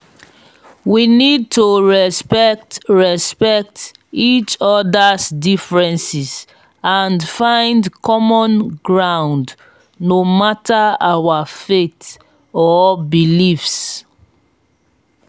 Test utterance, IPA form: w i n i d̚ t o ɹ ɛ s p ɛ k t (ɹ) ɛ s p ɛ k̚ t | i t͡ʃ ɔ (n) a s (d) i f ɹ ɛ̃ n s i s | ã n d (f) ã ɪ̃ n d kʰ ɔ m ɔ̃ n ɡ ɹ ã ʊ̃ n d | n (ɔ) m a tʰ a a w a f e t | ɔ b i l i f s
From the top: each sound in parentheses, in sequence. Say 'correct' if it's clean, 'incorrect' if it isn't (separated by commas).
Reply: correct, incorrect, correct, correct, incorrect